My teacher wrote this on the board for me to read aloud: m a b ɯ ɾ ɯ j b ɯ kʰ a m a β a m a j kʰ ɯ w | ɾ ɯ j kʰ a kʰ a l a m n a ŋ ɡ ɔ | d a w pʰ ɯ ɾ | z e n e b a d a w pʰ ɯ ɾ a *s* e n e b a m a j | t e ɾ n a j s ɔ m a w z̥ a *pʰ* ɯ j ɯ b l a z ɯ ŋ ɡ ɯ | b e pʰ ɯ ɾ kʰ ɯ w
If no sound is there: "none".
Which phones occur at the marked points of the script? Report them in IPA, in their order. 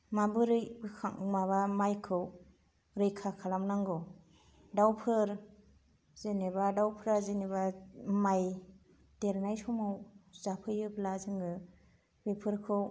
z, pʰ

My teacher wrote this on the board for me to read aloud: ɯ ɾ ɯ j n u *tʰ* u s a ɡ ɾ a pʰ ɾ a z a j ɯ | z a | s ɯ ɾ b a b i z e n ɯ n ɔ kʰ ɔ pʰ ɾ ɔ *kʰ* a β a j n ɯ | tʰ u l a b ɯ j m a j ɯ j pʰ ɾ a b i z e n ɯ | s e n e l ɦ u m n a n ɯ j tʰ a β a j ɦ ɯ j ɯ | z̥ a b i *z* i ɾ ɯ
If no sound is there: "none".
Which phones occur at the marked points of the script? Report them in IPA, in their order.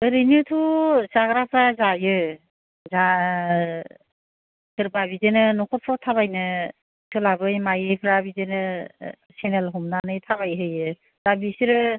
tʰ, tʰ, s

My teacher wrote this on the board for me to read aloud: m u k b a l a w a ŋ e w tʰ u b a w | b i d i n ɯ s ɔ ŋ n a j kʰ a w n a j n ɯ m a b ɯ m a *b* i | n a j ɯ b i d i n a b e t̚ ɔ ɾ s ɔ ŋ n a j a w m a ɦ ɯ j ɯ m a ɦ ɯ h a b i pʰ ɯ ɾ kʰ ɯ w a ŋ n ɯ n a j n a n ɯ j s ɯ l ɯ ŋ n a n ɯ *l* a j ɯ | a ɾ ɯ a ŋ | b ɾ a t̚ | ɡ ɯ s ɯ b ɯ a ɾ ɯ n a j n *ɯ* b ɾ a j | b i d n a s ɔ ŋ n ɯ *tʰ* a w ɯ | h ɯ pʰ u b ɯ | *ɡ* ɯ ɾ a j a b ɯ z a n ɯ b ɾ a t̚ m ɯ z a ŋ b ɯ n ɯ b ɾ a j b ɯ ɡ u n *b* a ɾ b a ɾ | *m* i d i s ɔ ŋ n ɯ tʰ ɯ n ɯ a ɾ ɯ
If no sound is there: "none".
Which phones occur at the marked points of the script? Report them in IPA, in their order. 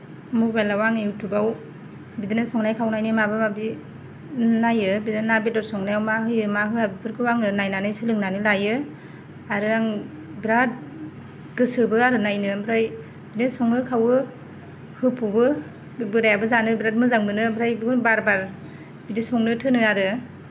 b, l, ɯ, kʰ, b, b, b

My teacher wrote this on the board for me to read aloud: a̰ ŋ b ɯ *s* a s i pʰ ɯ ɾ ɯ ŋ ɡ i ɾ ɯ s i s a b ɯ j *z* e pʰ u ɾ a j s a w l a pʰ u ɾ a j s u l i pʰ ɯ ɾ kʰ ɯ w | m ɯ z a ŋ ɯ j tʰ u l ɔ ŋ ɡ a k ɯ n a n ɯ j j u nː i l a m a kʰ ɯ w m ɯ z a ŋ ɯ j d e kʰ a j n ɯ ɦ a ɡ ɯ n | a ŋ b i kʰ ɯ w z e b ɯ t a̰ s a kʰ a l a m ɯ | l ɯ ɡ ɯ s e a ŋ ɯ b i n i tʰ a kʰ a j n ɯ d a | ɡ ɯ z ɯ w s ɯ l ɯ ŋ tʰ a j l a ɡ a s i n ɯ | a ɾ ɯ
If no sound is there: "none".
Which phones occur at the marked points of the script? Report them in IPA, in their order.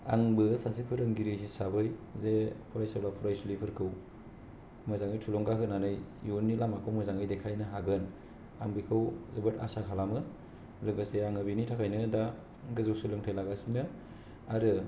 s, z

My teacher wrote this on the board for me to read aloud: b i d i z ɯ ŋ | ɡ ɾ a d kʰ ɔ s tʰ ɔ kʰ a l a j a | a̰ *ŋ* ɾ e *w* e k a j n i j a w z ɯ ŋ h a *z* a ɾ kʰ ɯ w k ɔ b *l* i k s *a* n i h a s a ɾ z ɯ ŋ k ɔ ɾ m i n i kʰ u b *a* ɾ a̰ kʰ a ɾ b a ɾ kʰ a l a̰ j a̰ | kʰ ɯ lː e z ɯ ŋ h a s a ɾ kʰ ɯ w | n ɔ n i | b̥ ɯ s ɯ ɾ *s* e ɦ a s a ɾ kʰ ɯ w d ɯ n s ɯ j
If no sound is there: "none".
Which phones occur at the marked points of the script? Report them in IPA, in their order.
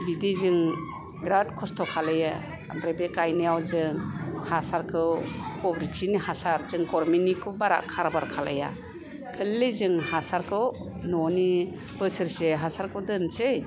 m, b, s, ɾ, i, a, s

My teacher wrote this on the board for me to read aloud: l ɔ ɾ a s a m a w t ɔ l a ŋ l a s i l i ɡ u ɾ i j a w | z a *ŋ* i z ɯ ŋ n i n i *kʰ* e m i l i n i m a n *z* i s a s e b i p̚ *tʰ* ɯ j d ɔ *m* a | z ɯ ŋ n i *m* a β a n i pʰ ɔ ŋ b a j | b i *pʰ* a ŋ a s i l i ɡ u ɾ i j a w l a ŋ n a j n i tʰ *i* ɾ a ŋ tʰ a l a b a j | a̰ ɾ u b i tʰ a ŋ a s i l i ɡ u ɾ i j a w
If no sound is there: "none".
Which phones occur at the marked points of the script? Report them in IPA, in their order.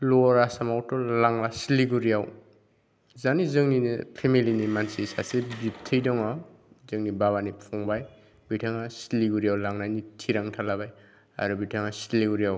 n, pʰ, s, tʰ, ŋ, b, tʰ, i

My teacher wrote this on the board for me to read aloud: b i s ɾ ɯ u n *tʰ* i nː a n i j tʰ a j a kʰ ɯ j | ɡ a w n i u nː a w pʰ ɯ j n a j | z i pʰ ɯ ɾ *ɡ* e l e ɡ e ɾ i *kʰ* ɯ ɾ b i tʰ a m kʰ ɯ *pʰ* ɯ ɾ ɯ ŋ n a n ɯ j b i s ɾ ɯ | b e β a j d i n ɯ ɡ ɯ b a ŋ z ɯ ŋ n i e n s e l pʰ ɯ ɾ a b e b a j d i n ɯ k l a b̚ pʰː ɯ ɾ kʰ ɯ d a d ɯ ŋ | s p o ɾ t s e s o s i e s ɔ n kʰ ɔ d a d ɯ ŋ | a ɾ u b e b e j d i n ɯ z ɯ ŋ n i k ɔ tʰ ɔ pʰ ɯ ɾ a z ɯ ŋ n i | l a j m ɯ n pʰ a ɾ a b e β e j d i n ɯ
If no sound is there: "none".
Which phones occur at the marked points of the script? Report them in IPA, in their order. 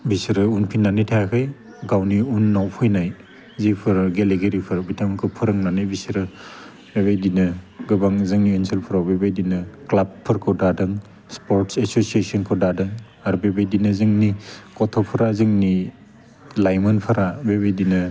pʰ, ɡ, pʰ, pʰ

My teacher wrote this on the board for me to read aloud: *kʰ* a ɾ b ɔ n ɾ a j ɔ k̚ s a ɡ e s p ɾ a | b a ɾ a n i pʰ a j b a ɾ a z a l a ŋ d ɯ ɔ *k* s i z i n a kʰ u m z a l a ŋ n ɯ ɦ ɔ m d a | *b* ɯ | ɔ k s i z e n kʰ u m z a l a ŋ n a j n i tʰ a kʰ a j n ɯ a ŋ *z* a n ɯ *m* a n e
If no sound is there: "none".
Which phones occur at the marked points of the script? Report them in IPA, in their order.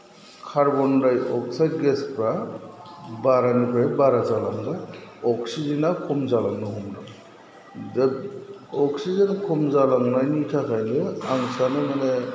kʰ, k, d, s, m

